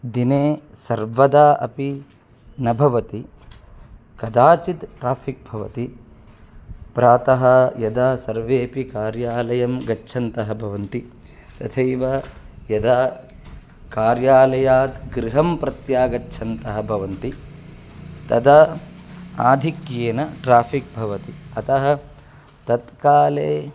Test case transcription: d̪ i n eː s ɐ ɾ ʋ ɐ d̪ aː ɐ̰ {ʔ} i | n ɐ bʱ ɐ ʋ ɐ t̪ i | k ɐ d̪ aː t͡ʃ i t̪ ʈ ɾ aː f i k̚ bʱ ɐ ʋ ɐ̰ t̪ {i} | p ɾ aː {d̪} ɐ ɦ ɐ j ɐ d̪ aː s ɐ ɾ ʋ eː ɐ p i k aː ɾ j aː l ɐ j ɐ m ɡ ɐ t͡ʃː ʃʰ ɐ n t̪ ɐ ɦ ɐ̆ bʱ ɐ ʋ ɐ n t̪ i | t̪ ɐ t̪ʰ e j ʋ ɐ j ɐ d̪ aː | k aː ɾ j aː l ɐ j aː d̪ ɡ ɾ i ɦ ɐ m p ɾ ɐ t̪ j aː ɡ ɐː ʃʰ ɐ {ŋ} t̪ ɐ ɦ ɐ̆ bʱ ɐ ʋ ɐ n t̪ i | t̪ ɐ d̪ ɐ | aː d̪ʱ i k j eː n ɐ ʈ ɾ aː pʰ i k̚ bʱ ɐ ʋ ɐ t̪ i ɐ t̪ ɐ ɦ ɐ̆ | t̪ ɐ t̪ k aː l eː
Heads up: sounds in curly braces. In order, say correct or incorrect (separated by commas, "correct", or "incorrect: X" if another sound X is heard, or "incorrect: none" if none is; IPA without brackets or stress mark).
incorrect: p, correct, incorrect: t̪, incorrect: n